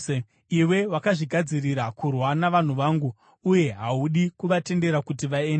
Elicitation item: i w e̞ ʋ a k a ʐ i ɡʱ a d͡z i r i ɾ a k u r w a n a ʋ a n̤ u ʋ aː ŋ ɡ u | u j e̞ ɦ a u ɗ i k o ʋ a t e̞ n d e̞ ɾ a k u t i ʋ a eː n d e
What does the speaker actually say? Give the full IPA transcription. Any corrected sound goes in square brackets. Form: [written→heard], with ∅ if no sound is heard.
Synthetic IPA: i w e̞ [ʋ→w] a k a ʐ i ɡʱ a d͡z i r i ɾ a k u r w a n a ʋ a n̤ u ʋ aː ŋ ɡ u | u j e̞ ɦ a u ɗ i k [o→u] ʋ a t e̞ n d e̞ ɾ a k u t i ʋ a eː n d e

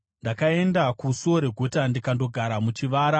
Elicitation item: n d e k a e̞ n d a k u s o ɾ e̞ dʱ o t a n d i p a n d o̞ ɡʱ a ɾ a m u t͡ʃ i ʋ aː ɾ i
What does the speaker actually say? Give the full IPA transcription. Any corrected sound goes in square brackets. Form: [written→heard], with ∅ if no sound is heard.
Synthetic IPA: n d [e→a] k a e̞ n d a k u s o ɾ e̞ [dʱ→ɡʱ] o t a n d i [p→k] a n d o̞ ɡʱ a ɾ a m u t͡ʃ i ʋ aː ɾ [i→a]

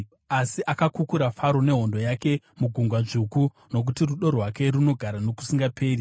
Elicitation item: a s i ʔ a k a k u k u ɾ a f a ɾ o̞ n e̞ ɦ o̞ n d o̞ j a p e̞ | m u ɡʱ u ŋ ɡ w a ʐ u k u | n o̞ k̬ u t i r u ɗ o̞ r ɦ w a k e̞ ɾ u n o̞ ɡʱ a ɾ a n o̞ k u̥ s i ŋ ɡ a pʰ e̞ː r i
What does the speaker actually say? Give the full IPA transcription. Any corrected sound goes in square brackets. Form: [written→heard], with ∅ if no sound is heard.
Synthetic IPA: a s i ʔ a k a k u k u ɾ a f a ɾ o̞ n e̞ ɦ o̞ n d o̞ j a [p→k] e̞ | m u ɡʱ u ŋ ɡ w a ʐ u k u | n o̞ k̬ u t i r u ɗ o̞ r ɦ w a k e̞ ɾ u n o̞ ɡʱ a ɾ a n o̞ k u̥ s i ŋ ɡ a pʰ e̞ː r i

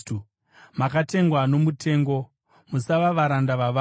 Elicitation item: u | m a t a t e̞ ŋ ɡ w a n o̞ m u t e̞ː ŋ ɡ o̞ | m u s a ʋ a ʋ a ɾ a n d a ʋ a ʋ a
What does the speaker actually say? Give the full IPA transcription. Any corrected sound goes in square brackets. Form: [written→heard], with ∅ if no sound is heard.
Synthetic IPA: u | m a [t→k] a t e̞ ŋ ɡ w a n o̞ m u t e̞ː ŋ ɡ o̞ | m u s a ʋ a ʋ a ɾ a n d a ʋ a ʋ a

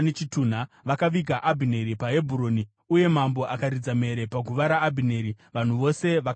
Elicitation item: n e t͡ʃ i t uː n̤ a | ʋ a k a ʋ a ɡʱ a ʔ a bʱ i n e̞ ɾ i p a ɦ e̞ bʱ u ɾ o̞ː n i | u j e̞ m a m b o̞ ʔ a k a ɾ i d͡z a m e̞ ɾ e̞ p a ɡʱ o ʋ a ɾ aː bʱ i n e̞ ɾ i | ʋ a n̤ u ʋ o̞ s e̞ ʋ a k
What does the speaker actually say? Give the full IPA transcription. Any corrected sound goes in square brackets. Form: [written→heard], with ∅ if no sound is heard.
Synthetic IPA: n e t͡ʃ i t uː n̤ a | ʋ a k a ʋ [a→i] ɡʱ a ʔ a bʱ i n e̞ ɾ i p a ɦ e̞ bʱ u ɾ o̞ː n i | u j e̞ m a m b o̞ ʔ a k a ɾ i d͡z a m e̞ ɾ e̞ p a ɡʱ [o→u] ʋ a ɾ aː bʱ i n e̞ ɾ i | ʋ a n̤ u ʋ o̞ s e̞ ʋ a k

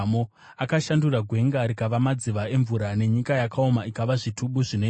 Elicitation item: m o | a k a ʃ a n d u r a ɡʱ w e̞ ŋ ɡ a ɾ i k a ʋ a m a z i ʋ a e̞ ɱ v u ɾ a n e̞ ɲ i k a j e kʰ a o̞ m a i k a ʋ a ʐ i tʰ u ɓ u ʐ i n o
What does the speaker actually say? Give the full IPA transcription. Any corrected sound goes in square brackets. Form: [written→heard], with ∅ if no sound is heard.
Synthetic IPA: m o | a k a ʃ a n d u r a ɡʱ w e̞ ŋ ɡ a ɾ i k a ʋ a m a [z→d͡z] i ʋ a e̞ ɱ v u ɾ a n e̞ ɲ i k a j [e→a] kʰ a o̞ m a i k a ʋ a ʐ i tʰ u ɓ u ʐ i n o

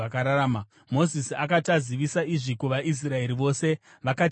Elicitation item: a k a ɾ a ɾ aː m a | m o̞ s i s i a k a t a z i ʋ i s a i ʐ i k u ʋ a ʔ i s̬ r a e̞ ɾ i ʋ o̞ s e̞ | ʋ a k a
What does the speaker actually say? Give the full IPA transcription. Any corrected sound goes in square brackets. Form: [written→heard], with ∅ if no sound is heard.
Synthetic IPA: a k a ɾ a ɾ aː m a | m o̞ [s→z] i s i a k a t a z i ʋ i s a i ʐ i k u ʋ a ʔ i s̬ r a e̞ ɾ i ʋ o̞ s e̞ | ʋ a k a

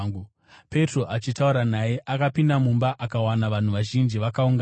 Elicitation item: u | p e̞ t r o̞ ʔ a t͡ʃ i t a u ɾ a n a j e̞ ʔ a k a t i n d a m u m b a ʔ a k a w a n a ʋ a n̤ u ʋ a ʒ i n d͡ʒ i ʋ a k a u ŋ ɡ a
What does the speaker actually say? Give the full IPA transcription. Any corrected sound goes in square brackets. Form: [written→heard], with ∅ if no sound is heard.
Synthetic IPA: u | p e̞ t r o̞ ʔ a t͡ʃ i t a u ɾ a n a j e̞ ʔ a k a [t→p] i n d a m u m b a ʔ a k a w a n a ʋ a n̤ u ʋ a ʒ i n d͡ʒ i ʋ a k a u ŋ ɡ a

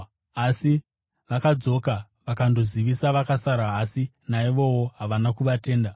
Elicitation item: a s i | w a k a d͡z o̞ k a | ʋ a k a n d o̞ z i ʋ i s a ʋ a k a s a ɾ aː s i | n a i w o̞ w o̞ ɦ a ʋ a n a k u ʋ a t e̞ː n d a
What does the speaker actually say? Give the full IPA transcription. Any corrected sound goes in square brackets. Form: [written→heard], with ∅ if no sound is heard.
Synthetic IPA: a s i | [w→ʋ] a k a d͡z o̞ k a | ʋ a k a n d o̞ z i ʋ i s a ʋ a k a s a ɾ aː s i | n a i [w→ʋ] o̞ w o̞ ɦ a ʋ a n a k u ʋ a t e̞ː n d a

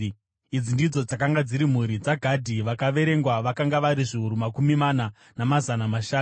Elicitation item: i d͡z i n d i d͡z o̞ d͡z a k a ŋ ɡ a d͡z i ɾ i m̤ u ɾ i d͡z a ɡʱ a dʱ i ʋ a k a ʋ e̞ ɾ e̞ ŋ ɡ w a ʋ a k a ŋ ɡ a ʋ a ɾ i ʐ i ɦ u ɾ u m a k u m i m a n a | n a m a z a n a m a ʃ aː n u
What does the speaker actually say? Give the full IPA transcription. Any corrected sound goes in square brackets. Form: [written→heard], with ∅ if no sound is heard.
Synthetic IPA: i d͡z i n d i d͡z o̞ d͡z a k a ŋ ɡ a d͡z i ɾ i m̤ u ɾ i d͡z a ɡʱ a dʱ i ʋ a k a ʋ e̞ ɾ e̞ ŋ ɡ w a ʋ a k a ŋ ɡ a ʋ a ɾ i ʐ i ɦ u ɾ u m a k u m i m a n a | n a m a z a n a m a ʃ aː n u

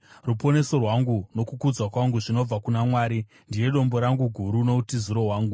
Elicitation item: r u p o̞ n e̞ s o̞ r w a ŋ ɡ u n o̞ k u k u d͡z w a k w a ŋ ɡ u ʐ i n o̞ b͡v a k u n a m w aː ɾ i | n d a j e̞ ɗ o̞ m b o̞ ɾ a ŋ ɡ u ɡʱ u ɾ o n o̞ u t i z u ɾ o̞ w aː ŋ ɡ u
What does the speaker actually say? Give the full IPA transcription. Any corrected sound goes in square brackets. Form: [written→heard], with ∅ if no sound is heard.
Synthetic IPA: r u p o̞ n e̞ s o̞ r w a ŋ ɡ u n o̞ k u k u d͡z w a k w a ŋ ɡ u ʐ i n o̞ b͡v a k u n a m w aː ɾ i | n d [a→i] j e̞ ɗ o̞ m b o̞ ɾ a ŋ ɡ u ɡʱ u ɾ [o→u] n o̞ u t i z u ɾ o̞ w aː ŋ ɡ u

